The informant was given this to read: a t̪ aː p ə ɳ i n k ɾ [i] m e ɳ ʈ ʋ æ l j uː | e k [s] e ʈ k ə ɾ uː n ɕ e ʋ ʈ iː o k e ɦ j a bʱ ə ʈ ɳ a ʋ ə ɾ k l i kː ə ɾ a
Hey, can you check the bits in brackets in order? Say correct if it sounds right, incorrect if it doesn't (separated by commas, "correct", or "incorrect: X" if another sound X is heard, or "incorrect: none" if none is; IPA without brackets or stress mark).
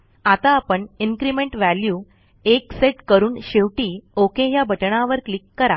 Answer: correct, correct